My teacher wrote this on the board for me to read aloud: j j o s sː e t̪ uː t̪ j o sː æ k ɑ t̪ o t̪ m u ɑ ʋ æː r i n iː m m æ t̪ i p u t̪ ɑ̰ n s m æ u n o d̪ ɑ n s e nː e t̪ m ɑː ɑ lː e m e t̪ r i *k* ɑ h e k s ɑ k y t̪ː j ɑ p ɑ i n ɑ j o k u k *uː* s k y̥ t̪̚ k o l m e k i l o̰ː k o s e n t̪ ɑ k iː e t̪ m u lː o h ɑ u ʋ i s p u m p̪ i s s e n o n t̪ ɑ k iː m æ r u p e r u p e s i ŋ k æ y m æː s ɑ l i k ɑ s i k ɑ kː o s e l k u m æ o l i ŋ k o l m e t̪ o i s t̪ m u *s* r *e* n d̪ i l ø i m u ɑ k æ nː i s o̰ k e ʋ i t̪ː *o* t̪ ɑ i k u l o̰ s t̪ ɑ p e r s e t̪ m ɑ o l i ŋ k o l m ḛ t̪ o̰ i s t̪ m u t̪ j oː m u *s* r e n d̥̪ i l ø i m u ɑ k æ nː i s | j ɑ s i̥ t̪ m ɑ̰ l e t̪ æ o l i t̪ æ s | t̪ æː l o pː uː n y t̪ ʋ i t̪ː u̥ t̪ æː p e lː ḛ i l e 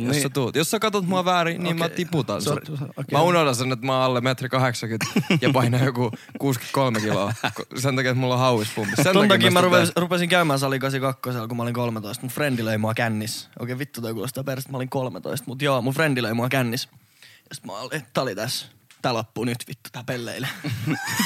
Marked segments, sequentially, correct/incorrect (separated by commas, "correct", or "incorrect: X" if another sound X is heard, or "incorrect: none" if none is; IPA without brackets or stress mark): correct, correct, incorrect: f, correct, incorrect: u, incorrect: f